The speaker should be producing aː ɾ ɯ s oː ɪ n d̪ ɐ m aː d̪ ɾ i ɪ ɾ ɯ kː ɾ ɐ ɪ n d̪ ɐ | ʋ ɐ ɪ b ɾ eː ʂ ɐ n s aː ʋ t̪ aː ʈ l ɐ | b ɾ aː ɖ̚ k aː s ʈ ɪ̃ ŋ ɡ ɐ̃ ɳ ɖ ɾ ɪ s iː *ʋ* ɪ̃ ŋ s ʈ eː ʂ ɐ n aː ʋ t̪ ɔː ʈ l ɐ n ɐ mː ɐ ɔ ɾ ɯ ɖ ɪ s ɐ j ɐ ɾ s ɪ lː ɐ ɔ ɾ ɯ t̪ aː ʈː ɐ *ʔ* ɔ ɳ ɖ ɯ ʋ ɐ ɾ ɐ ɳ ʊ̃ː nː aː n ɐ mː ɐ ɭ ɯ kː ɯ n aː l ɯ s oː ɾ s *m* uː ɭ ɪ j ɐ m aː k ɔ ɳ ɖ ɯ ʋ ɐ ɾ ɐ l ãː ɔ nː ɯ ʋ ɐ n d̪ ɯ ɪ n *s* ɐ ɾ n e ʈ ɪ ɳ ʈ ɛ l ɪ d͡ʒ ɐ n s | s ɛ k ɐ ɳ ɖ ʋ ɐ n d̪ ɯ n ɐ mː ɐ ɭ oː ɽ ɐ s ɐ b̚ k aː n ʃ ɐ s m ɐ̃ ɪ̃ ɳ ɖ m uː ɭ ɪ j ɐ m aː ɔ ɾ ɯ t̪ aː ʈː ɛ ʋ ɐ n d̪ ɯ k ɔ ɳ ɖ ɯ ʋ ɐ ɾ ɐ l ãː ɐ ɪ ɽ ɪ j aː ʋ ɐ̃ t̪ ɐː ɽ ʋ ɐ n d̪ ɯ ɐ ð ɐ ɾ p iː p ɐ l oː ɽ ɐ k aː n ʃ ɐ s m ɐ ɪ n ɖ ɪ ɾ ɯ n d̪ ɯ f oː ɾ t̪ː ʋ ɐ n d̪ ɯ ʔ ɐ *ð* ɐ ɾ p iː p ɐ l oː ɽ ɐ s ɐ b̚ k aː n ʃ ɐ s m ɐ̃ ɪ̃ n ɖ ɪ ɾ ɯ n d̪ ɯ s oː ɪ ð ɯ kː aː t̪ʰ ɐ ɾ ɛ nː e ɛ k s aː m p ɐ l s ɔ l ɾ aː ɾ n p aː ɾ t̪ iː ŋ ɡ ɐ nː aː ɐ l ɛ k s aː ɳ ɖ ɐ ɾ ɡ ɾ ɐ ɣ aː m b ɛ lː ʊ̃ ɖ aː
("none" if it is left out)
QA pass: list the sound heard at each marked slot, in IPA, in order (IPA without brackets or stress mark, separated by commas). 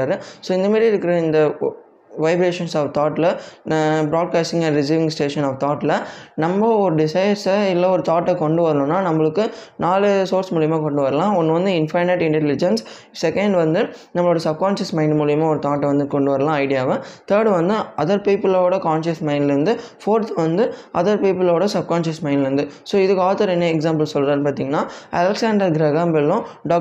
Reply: ʋ, k, m, f, ð